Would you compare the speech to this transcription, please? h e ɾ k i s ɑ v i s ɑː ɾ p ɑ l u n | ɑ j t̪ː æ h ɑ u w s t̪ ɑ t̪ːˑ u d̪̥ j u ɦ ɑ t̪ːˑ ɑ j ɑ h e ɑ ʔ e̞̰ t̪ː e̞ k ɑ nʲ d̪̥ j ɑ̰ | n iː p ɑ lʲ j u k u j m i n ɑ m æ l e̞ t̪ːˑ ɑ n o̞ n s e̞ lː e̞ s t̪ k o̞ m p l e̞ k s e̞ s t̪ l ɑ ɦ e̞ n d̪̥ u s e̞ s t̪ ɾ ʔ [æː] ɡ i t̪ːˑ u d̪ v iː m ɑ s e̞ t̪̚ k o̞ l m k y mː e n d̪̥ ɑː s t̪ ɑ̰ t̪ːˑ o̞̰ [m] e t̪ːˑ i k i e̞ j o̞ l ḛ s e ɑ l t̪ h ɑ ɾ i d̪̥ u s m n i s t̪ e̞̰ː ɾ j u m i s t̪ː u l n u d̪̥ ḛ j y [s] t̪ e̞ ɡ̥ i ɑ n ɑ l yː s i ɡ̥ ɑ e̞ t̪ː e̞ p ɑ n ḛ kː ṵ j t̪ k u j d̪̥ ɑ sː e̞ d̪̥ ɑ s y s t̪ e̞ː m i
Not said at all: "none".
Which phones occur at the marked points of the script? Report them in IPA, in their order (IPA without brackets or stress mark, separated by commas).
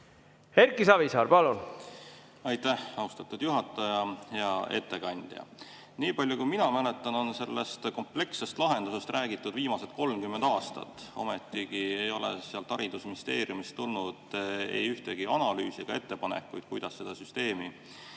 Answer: æː, m, h